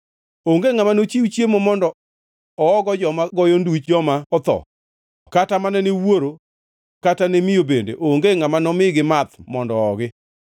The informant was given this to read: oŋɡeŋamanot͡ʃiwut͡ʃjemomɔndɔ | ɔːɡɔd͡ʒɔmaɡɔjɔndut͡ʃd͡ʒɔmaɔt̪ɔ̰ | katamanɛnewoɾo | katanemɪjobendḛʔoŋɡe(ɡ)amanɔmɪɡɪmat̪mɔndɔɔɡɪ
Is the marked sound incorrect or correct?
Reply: incorrect